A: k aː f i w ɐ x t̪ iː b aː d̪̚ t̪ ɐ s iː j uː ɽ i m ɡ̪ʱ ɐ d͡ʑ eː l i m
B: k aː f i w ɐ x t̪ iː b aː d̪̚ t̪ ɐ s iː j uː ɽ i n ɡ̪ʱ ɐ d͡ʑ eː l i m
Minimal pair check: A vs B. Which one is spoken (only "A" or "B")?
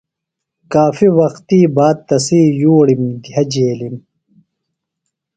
A